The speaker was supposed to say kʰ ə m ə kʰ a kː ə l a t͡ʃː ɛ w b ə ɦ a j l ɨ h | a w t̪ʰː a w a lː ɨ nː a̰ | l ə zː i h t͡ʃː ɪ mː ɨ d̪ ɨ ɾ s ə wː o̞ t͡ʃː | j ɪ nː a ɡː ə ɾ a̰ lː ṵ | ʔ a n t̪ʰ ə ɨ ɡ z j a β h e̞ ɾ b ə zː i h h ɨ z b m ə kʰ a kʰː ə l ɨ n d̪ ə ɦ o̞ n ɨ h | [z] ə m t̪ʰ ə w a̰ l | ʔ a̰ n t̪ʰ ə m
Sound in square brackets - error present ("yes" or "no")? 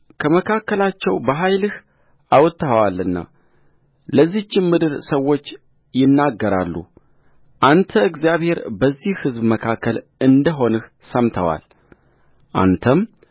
yes